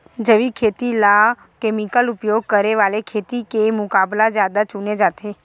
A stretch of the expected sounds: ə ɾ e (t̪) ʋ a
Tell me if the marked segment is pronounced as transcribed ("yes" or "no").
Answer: no